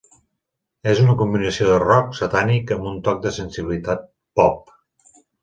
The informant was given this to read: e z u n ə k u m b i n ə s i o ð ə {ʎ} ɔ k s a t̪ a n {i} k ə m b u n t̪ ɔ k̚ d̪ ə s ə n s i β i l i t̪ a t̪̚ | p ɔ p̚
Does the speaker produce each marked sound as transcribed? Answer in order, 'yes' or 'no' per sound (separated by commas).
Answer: no, yes